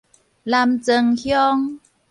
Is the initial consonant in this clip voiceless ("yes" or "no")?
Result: no